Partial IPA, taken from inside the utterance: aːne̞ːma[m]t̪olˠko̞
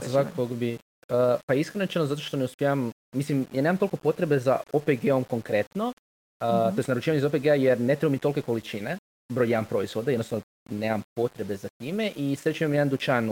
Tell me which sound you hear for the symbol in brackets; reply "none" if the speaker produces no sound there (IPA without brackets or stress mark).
m